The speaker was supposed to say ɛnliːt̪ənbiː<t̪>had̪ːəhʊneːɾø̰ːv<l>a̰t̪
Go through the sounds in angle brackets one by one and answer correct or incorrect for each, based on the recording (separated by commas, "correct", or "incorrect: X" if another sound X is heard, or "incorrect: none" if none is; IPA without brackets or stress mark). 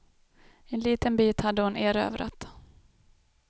correct, incorrect: ɾ